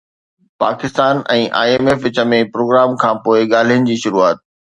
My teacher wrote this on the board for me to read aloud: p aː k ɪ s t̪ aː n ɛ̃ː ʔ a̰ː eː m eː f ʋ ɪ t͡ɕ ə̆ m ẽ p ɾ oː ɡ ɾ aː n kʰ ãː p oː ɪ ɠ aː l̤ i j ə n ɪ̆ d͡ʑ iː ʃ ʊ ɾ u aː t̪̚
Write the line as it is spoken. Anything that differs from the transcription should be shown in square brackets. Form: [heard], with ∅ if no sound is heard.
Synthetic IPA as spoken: p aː k ɪ s t̪ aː n ɛ̃ː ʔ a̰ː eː m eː f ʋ ɪ t͡ɕ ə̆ m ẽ p ɾ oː ɡ ɾ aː [m] kʰ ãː p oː ɪ ɠ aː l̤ i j ə n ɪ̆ d͡ʑ iː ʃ ʊ ɾ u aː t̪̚